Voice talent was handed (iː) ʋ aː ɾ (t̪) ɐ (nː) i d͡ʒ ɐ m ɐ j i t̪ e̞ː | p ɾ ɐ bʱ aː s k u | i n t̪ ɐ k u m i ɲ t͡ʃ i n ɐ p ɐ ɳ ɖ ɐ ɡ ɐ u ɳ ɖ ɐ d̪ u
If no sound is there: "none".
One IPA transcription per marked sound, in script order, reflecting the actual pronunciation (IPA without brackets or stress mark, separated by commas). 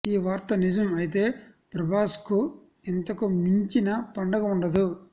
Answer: iː, t̪, n